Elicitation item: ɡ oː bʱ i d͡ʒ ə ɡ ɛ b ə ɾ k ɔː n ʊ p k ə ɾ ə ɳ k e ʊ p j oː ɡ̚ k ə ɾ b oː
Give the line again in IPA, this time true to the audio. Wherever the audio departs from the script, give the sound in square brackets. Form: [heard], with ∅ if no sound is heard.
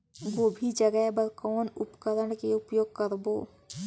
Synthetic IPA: ɡ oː bʱ i d͡ʒ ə ɡ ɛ b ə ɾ k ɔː n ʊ p k ə ɾ ə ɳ k e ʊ p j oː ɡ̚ k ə ɾ b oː